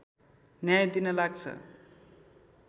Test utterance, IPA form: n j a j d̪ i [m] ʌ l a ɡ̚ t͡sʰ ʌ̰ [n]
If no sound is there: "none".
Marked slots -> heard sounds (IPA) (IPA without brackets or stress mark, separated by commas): n, none